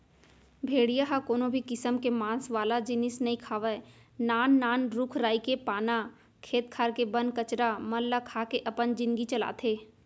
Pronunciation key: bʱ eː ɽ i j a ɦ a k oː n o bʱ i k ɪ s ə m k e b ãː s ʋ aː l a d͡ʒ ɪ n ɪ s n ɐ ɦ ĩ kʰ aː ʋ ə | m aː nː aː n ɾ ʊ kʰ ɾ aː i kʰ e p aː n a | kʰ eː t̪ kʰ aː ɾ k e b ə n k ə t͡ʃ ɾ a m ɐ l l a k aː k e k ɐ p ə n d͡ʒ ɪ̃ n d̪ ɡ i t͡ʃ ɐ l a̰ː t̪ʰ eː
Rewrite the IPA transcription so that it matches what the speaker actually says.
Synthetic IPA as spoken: bʱ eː ɽ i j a ɦ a k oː n o bʱ i k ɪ s ə m k e m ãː s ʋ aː l a d͡ʒ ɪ n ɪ s n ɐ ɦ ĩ kʰ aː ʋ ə | n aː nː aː n ɾ ʊ kʰ ɾ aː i k e p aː n a | kʰ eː t̪ kʰ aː ɾ k e b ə n k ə t͡ʃ ɾ a m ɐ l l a kʰ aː k e ʔ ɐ p ə n d͡ʒ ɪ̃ n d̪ ɡ i t͡ʃ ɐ l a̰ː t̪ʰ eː